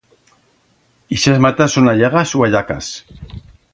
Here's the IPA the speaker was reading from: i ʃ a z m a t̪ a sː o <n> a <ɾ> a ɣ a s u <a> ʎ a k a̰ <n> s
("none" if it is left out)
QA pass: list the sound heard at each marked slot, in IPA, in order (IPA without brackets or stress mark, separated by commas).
n, ʎ, a, none